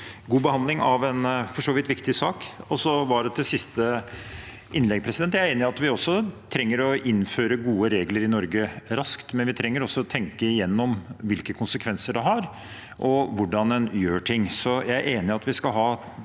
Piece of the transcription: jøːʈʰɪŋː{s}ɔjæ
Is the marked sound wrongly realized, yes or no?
no